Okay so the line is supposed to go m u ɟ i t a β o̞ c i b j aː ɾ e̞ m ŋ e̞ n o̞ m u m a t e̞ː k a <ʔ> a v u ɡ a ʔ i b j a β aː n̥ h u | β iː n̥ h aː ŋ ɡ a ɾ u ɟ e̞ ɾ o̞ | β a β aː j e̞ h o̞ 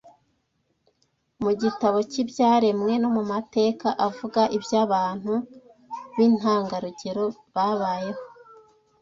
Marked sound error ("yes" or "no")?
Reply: no